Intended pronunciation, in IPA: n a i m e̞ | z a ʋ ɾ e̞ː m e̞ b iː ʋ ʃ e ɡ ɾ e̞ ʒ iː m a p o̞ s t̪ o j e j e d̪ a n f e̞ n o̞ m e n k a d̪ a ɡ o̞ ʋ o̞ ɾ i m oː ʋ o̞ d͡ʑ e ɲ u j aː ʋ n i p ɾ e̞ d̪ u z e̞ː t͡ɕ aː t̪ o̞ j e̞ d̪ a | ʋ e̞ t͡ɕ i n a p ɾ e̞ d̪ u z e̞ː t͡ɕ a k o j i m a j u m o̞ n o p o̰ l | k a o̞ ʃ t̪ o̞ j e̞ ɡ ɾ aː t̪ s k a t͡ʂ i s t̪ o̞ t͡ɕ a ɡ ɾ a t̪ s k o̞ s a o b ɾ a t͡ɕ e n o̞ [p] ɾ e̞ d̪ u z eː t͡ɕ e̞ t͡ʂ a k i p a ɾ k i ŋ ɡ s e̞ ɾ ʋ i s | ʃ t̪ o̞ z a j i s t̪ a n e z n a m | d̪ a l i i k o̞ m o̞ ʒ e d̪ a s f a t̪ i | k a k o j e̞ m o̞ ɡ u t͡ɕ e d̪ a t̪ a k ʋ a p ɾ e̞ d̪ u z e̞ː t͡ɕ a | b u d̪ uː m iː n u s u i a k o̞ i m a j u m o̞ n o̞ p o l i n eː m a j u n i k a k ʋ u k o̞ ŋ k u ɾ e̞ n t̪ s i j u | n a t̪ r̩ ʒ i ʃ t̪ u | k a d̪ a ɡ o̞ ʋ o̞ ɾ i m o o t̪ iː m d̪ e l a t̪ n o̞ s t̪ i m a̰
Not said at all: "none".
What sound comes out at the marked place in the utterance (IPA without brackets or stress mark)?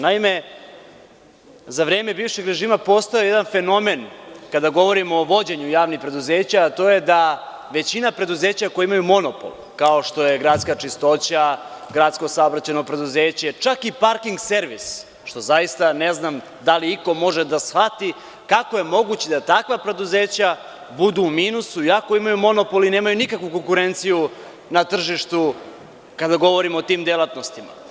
p